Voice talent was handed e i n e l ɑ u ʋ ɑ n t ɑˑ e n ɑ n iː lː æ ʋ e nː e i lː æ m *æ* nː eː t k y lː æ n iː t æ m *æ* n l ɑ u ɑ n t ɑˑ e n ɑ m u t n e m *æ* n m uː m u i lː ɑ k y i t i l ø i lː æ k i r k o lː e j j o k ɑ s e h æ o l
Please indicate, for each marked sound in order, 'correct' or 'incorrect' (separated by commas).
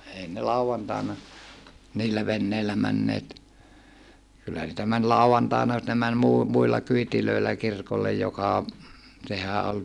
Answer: correct, correct, correct